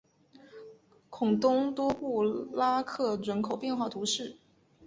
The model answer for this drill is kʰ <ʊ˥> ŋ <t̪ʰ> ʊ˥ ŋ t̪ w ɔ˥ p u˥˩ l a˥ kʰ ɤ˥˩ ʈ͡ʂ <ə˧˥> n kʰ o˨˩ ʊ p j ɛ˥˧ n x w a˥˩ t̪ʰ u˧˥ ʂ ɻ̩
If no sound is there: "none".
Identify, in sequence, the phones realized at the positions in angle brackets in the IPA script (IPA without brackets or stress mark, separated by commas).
ʊ˨˩, t̪, ə˧˥